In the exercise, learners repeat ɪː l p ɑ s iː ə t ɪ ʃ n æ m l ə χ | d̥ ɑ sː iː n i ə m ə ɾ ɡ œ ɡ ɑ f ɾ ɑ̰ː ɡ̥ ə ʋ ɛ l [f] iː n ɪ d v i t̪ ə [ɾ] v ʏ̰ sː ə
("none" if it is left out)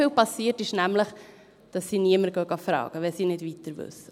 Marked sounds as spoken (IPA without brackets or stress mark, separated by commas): s, ɾ